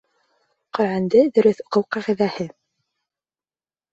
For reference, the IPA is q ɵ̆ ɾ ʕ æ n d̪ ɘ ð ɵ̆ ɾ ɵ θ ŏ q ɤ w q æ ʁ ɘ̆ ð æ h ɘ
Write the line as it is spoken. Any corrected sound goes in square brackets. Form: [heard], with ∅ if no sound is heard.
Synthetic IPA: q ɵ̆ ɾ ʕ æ n d̪ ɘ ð ɵ̆ ɾ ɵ θ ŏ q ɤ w q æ ʁ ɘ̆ ð æ h ɘ